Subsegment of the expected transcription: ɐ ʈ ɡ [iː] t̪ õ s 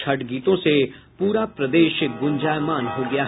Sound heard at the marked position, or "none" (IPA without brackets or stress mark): iː